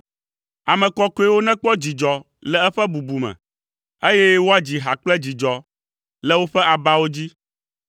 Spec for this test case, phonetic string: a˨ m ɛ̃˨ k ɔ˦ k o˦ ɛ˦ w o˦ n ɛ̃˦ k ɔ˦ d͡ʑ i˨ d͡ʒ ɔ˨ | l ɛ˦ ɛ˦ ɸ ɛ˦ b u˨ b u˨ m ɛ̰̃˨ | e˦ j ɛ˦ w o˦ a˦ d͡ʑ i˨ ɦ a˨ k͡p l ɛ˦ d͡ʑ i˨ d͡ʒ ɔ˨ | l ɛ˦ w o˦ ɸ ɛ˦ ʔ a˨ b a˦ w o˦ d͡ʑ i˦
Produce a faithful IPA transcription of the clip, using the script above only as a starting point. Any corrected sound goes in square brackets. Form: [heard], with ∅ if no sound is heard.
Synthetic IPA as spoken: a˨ m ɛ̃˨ k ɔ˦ k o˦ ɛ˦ w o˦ n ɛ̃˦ [k͡p] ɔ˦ d͡ʑ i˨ d͡ʒ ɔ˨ | l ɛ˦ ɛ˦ ɸ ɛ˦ b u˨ b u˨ m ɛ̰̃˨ | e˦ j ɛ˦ w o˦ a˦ d͡ʑ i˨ ɦ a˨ k͡p l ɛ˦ d͡ʑ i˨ d͡ʒ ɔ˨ | l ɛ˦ w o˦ ɸ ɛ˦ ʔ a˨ b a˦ w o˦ d͡ʑ i˦

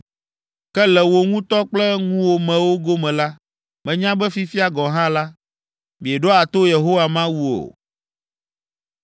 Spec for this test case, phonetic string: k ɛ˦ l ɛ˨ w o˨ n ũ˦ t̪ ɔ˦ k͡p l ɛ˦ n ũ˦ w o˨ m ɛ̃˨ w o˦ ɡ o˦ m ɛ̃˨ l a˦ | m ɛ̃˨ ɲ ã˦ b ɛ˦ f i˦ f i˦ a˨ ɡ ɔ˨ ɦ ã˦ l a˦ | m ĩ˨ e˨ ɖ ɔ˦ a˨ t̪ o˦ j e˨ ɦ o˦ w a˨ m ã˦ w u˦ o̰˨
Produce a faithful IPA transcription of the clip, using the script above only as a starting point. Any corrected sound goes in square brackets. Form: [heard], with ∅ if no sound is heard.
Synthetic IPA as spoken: k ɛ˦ l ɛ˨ w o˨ [ŋ] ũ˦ t̪ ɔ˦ k͡p l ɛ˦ [ŋ] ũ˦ w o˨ m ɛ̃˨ w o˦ ɡ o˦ m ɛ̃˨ l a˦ | m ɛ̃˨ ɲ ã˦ b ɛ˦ f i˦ f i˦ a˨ ɡ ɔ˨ ɦ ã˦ l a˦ | m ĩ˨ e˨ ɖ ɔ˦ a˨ t̪ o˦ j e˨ ɦ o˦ w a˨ m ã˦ w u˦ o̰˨

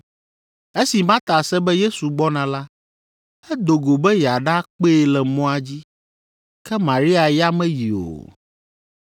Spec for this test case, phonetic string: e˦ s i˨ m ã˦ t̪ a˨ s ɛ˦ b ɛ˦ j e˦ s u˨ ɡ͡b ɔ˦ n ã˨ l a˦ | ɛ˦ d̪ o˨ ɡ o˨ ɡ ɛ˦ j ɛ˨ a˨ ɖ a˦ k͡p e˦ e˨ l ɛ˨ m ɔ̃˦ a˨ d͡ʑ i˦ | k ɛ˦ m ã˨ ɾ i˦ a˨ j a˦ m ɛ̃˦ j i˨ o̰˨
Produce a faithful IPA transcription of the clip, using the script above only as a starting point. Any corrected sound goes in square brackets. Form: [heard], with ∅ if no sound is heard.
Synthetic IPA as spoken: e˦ s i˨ m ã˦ t̪ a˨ s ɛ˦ b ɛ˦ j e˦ s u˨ ɡ͡b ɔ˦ n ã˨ l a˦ | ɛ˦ d̪ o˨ ɡ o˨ [b] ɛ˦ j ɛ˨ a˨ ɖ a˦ k͡p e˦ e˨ l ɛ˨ m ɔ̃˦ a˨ d͡ʑ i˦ | k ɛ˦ m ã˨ ɾ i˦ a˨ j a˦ m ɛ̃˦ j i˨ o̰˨

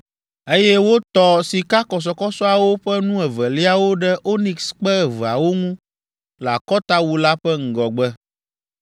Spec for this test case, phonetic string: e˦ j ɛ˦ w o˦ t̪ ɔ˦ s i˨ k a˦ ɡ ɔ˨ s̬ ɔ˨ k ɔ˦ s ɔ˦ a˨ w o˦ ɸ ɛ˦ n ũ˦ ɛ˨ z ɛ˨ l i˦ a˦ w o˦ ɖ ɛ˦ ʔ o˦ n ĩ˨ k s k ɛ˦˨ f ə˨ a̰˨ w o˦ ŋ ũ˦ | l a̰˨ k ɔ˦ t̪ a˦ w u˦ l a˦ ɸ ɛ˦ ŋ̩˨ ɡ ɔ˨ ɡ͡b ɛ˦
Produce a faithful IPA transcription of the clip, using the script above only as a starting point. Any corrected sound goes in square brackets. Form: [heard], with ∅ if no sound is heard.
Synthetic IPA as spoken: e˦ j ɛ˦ w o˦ t̪ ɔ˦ s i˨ k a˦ [k] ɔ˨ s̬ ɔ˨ k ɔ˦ s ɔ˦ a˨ w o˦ ɸ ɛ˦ n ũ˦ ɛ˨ [v] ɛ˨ l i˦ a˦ w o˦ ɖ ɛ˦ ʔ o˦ n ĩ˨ k s [k͡p] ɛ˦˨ [v] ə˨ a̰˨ w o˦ ŋ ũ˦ | l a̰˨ k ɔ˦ t̪ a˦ w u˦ l a˦ ɸ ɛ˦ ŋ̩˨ ɡ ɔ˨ ɡ͡b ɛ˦

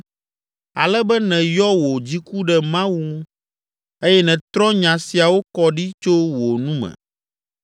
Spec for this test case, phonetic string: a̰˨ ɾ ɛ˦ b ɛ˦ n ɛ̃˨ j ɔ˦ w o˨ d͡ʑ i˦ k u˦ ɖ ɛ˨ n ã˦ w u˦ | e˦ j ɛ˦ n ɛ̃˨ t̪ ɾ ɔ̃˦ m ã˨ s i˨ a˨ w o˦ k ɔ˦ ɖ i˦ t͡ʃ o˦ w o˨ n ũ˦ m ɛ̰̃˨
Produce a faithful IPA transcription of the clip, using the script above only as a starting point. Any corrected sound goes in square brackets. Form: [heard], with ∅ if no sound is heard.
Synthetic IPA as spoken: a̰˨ [l] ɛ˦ b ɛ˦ n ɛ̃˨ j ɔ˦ w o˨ d͡ʑ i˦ k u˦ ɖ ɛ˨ [m] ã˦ w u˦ | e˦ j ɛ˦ n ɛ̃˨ t̪ ɾ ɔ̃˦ [ɲ] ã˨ s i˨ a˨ w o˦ k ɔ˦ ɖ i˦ t͡ʃ o˦ w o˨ n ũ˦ m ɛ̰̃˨

